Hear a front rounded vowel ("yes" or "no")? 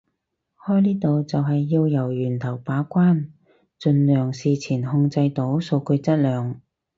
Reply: yes